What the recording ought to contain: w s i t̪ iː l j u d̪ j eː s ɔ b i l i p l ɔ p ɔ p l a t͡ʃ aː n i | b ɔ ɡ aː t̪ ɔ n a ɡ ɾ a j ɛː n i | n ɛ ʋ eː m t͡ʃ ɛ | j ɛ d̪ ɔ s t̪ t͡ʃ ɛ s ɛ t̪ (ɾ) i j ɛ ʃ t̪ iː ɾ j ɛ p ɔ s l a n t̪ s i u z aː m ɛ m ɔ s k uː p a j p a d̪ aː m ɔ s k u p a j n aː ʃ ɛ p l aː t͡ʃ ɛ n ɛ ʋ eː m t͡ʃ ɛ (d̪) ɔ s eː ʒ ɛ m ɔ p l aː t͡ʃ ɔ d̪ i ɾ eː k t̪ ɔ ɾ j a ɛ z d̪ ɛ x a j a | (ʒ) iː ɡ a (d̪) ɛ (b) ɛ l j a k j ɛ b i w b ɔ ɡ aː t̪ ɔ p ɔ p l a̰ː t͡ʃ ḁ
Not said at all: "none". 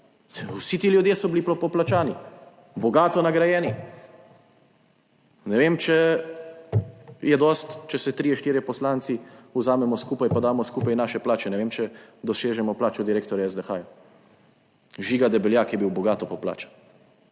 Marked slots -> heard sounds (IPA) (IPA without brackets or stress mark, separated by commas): ɾ, d̪, ʒ, d̪, b